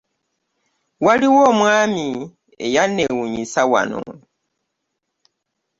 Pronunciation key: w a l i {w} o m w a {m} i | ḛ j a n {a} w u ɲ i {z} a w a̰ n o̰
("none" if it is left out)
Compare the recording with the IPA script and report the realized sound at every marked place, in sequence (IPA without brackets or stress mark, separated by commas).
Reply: w, m, e, s